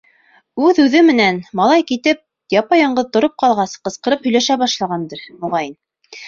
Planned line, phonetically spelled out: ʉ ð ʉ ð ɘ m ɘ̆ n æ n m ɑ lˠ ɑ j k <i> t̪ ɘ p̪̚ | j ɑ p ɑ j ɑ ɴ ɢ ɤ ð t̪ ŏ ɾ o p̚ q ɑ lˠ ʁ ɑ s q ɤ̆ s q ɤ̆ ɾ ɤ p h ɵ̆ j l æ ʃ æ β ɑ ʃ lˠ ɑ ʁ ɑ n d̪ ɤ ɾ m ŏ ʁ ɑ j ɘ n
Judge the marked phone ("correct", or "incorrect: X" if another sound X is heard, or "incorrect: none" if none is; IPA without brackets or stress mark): correct